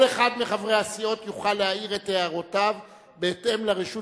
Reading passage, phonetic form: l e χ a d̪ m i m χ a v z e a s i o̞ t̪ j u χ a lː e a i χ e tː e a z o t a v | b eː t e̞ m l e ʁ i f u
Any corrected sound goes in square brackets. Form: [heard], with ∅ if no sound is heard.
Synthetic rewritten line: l e χ a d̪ m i [∅] χ a v [ʁ] e a s i o̞ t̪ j u χ a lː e a i [ʁ] e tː e a [ʁ] o t a v | b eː t e̞ m l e ʁ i [ʃ] u